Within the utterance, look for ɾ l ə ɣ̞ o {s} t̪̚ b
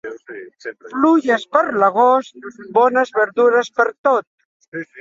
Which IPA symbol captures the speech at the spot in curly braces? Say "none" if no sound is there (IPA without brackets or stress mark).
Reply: s